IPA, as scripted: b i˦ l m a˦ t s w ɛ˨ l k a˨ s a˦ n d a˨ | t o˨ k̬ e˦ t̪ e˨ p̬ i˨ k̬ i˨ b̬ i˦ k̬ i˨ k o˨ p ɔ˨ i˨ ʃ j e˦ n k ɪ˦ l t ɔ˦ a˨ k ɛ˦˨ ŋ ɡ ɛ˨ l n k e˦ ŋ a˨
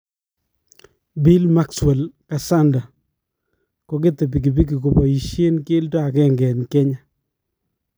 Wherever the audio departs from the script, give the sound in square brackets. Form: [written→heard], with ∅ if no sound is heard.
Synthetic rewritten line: b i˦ l m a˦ [t→k] s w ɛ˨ l k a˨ s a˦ n d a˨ | [t→k] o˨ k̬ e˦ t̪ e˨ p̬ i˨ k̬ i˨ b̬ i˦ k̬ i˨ k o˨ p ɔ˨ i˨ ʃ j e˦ n k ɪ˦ l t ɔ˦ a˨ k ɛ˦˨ ŋ ɡ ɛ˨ [l→∅] n k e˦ [ŋ→ɲ] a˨